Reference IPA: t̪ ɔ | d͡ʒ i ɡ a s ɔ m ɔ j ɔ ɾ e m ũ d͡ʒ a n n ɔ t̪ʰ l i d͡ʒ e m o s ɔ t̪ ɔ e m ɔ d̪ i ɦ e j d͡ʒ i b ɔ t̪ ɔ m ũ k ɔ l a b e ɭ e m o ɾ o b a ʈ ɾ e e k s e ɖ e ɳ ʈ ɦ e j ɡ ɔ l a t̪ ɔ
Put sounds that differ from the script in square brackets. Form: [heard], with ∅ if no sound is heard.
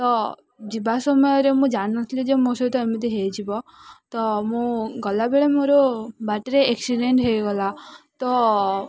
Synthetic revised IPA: t̪ ɔ | d͡ʒ i [b] a s ɔ m ɔ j ɔ ɾ e m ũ d͡ʒ a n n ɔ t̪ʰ l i d͡ʒ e m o s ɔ t̪ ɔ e m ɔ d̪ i ɦ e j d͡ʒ i b ɔ t̪ ɔ m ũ [ɡ] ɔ l a b e ɭ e m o ɾ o b a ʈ ɾ e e k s [i] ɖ e ɳ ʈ ɦ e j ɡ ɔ l a t̪ ɔ